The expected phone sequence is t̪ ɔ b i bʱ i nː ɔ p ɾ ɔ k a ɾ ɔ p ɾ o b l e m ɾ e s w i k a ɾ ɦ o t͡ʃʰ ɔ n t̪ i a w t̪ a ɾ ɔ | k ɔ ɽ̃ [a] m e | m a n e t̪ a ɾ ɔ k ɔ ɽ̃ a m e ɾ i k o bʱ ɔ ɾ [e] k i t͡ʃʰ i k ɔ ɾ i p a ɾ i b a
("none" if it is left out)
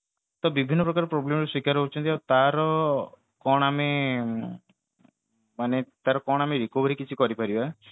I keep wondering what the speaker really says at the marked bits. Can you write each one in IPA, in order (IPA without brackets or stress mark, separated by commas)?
a, i